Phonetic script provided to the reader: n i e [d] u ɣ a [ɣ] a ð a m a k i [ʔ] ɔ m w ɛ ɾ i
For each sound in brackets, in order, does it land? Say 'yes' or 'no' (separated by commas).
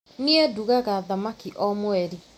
yes, yes, yes